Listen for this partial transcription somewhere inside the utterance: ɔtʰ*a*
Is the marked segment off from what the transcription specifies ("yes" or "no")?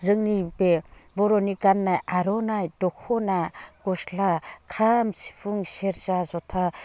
no